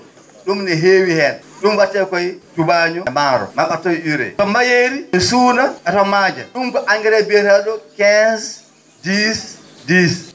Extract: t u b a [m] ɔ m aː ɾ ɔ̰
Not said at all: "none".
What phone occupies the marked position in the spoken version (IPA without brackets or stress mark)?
ɲ